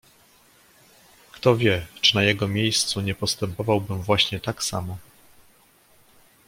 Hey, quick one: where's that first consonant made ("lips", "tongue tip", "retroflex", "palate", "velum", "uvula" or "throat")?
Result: velum